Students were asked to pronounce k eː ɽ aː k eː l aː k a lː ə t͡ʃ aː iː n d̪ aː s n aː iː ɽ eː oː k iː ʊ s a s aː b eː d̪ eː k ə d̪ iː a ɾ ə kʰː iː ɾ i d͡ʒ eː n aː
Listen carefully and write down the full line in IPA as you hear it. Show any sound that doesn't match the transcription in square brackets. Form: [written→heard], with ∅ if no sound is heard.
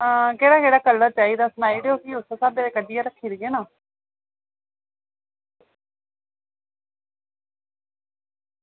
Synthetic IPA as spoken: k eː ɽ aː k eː [l→ɽ] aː k [a→ə] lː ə t͡ʃ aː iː [n→∅] d̪ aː s n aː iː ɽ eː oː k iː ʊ s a s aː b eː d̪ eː k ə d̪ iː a ɾ ə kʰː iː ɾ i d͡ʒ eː n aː

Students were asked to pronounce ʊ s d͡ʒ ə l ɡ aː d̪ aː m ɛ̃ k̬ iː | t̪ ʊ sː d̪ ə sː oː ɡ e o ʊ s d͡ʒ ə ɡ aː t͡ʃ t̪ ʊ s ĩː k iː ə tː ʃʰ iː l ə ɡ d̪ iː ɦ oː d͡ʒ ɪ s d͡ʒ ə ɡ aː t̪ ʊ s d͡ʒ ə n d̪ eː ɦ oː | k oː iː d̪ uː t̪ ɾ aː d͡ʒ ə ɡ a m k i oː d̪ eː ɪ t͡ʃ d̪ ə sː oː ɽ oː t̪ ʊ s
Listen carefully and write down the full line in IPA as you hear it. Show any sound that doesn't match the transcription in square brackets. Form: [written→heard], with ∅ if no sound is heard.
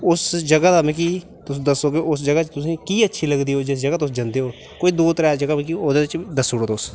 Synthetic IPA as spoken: ʊ s d͡ʒ ə [l→∅] ɡ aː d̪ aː m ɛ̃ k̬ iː | t̪ ʊ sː d̪ ə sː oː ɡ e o ʊ s d͡ʒ ə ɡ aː t͡ʃ t̪ ʊ s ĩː k iː ə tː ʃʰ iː l ə ɡ d̪ iː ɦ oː d͡ʒ ɪ s d͡ʒ ə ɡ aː t̪ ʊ s d͡ʒ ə n d̪ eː ɦ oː | k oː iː d̪ uː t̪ ɾ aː d͡ʒ ə ɡ a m k i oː d̪ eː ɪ t͡ʃ d̪ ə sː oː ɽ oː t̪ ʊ s

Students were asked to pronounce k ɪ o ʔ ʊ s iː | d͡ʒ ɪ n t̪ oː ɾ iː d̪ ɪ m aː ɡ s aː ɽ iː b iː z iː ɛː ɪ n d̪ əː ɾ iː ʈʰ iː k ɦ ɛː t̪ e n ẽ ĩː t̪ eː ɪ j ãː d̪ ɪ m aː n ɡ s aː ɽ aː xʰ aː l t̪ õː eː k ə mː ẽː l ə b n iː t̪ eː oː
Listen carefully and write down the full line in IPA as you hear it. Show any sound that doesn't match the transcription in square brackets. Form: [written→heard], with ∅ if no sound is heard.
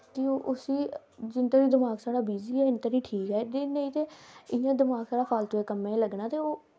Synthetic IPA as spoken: k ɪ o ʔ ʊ s iː | d͡ʒ ɪ n t̪ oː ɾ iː d̪ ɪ m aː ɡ s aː ɽ [iː→aː] b iː z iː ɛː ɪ n [d̪→t̪] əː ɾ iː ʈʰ iː k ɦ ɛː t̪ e n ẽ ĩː t̪ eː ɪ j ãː d̪ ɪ m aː [n→∅] ɡ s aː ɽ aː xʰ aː l t̪ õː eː k ə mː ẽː l ə [b→ɡ] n [iː→aː] t̪ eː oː

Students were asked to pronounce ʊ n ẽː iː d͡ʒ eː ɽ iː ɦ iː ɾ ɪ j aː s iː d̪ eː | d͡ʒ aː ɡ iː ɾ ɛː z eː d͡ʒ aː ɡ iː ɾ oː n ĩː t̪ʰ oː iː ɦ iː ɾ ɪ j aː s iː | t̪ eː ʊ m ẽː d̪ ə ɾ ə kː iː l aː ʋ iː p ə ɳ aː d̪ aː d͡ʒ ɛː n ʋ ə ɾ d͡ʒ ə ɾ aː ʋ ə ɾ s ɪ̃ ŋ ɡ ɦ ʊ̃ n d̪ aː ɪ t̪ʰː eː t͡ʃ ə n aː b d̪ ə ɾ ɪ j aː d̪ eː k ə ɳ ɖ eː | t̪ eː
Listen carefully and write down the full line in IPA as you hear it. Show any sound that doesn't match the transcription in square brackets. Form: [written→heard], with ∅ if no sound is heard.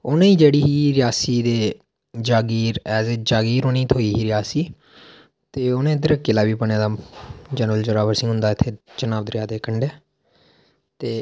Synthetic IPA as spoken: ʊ n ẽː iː d͡ʒ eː ɽ iː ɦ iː ɾ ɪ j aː s iː d̪ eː | d͡ʒ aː ɡ iː ɾ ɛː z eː d͡ʒ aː ɡ iː ɾ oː n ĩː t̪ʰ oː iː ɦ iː ɾ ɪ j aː s iː | t̪ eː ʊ [m→n] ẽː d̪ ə ɾ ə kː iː l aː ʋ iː p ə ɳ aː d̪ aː d͡ʒ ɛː n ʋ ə [ɾ→l] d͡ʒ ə ɾ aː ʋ ə ɾ s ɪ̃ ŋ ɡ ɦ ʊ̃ n d̪ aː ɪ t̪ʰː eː t͡ʃ ə n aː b d̪ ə ɾ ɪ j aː d̪ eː k ə ɳ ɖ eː | t̪ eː

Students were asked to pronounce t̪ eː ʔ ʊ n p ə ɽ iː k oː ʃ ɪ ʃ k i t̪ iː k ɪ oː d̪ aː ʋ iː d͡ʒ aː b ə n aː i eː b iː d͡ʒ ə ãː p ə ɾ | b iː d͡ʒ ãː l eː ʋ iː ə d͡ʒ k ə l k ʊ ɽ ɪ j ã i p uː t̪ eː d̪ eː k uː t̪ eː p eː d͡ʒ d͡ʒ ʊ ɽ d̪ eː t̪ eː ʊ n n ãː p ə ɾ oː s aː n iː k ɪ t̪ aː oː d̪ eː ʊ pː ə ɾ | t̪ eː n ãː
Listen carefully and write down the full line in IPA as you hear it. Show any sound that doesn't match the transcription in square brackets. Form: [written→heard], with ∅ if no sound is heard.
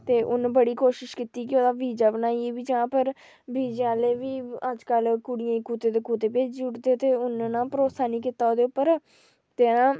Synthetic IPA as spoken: t̪ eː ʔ ʊ n [p→b] ə ɽ iː k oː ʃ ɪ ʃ k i t̪ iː k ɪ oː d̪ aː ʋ iː d͡ʒ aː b ə n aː i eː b iː d͡ʒ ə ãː p ə ɾ | b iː d͡ʒ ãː l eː ʋ iː ə d͡ʒ k ə l k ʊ ɽ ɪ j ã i [p→k] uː t̪ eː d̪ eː k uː t̪ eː p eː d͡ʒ d͡ʒ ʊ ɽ d̪ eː t̪ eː ʊ n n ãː p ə ɾ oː s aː n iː k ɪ t̪ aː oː d̪ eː ʊ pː ə ɾ | t̪ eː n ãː

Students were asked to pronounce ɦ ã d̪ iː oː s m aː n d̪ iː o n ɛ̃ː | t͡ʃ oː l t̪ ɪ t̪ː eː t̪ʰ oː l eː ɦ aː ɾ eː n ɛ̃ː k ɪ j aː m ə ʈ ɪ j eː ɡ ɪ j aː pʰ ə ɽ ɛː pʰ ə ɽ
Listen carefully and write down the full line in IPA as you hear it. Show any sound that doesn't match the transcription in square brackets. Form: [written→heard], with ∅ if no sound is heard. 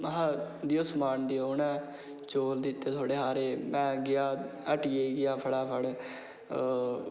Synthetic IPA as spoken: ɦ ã d̪ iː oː s m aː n d̪ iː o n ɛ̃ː | t͡ʃ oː l [t̪→d̪] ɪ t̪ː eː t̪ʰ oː [l→ɽ] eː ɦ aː ɾ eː [n→m] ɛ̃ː [k→ɡ] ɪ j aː [m→∅] ə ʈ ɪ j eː ɡ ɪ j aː pʰ ə ɽ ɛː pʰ ə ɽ

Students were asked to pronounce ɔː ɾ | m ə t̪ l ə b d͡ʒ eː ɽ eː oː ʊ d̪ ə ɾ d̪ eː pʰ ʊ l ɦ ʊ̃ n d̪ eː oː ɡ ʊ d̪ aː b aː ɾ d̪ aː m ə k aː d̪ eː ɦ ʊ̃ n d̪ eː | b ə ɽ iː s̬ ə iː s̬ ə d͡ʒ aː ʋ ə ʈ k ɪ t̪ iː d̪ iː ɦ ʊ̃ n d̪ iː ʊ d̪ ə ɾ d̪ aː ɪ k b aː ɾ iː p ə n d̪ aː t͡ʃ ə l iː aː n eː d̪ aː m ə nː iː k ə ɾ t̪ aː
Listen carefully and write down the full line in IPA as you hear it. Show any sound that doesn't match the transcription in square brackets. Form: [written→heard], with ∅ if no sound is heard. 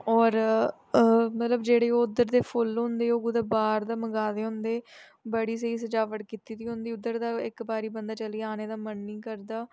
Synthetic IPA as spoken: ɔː ɾ | m ə t̪ l ə b d͡ʒ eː ɽ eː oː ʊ d̪ ə ɾ d̪ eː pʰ ʊ l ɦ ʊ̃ n d̪ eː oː ɡ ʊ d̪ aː b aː ɾ d̪ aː m ə [k→ɡ] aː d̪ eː ɦ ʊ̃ n d̪ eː | b ə ɽ iː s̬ ə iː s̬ ə d͡ʒ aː ʋ ə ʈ k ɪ t̪ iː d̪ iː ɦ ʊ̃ n d̪ iː ʊ d̪ ə ɾ d̪ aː ɪ k b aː ɾ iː [p→b] ə n d̪ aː t͡ʃ ə l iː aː n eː d̪ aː m ə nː iː k ə ɾ [t̪→d̪] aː

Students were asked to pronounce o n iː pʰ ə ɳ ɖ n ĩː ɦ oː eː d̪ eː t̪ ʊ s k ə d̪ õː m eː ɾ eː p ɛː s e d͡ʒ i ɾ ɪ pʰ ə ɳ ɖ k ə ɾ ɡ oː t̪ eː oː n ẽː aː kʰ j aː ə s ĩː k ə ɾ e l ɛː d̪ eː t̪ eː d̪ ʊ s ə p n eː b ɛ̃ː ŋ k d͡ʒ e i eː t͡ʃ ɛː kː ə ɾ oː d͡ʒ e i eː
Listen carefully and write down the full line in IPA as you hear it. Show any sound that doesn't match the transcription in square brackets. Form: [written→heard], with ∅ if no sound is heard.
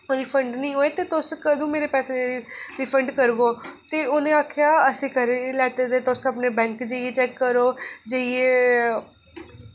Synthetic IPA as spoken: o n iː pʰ ə ɳ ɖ n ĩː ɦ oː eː [d̪→t̪] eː t̪ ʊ s k ə d̪ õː m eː ɾ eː p ɛː s e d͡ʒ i ɾ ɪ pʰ ə ɳ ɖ k ə ɾ ɡ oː t̪ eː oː n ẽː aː kʰ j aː ə s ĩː k ə ɾ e l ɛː [d̪→t̪] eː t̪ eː [d̪→t̪] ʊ s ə p n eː b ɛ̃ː ŋ k d͡ʒ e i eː t͡ʃ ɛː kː ə ɾ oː d͡ʒ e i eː

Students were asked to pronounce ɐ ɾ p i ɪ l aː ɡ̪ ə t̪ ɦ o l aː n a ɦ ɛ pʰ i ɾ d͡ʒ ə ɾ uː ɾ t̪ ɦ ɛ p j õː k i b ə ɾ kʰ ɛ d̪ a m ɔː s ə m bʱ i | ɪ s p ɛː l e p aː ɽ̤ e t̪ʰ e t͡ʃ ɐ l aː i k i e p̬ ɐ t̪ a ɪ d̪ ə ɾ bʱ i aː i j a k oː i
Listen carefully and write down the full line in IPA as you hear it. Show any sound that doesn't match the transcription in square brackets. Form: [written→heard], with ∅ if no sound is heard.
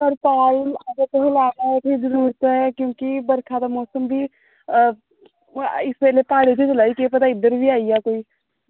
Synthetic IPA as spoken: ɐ ɾ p [i→a] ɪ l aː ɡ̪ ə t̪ ɦ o l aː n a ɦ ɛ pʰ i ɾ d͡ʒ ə ɾ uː ɾ t̪ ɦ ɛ [p→k] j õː k i b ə ɾ kʰ [ɛ→a] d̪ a m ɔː s ə m bʱ i | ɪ s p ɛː l e p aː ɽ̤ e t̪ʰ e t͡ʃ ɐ l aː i k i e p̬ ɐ t̪ a ɪ d̪ ə ɾ bʱ i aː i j a k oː i

